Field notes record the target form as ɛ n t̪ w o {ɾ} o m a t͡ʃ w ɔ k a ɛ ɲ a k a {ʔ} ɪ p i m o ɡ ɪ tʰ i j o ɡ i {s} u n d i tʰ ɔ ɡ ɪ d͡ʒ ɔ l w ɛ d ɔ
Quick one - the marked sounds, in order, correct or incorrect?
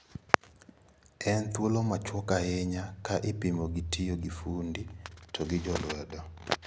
incorrect: l, correct, incorrect: f

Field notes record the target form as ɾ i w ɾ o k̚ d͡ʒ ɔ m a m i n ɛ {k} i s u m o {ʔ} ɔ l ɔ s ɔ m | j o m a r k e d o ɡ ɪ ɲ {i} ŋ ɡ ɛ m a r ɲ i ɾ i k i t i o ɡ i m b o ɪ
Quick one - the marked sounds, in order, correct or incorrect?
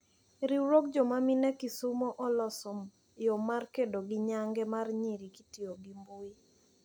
correct, correct, incorrect: a

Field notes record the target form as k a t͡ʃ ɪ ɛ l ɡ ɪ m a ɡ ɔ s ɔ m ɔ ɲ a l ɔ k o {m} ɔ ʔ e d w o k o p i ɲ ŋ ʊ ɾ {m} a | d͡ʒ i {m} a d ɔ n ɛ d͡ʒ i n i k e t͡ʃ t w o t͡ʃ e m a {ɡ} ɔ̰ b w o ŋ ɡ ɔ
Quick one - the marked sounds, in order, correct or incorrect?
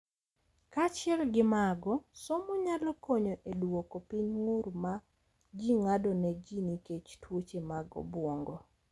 incorrect: ɲ, correct, incorrect: ŋ, correct

